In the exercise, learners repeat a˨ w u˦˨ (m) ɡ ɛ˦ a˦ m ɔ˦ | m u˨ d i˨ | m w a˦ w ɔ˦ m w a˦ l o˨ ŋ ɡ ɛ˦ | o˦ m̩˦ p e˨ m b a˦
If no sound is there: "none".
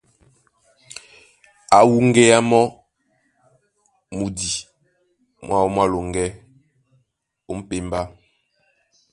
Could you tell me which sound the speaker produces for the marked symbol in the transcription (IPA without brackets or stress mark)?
ŋ